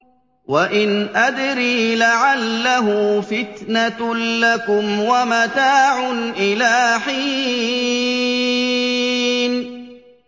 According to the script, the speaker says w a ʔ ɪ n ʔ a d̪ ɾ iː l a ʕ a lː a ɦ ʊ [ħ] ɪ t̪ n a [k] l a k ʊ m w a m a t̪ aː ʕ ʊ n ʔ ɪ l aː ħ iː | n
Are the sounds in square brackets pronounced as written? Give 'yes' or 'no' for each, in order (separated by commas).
no, no